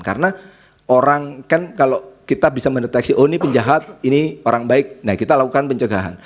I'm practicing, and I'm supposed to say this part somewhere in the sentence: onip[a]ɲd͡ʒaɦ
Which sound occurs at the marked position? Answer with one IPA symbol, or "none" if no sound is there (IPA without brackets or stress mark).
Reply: ə